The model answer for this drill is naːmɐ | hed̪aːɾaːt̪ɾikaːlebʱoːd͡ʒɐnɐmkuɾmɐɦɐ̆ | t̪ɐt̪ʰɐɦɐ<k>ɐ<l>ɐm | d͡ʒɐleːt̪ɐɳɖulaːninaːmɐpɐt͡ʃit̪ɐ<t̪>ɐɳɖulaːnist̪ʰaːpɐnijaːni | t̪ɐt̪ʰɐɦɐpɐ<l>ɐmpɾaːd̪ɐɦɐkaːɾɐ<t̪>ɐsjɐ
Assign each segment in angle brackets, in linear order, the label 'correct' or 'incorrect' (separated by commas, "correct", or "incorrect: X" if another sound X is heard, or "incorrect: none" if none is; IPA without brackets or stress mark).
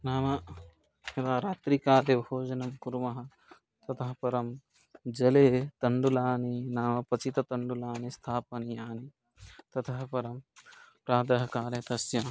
incorrect: p, incorrect: ɾ, correct, incorrect: ɾ, correct